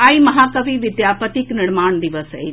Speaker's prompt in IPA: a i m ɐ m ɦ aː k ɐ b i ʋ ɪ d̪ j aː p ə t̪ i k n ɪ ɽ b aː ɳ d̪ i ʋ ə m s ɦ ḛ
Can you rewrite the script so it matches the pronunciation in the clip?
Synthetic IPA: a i m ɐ ɦ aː k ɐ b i ʋ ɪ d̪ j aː p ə t̪ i k n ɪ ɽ m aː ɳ d̪ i ʋ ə s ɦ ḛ